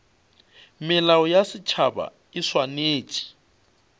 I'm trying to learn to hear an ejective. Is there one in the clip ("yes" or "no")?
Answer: yes